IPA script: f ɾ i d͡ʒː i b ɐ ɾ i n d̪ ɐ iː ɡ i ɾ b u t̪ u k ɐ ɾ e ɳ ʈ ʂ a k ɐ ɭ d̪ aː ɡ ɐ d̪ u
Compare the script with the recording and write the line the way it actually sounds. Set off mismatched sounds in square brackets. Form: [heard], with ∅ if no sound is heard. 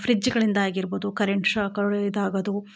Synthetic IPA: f ɾ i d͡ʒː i [ɡ] ɐ [ɭ] i n d̪ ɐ [aː] ɡ i ɾ b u [d̪] u k ɐ ɾ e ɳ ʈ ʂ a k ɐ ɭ d̪ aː ɡ ɐ d̪ u